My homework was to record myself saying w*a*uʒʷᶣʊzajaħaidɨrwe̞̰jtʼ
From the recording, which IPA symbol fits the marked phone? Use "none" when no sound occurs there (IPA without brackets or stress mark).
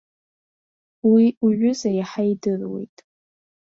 i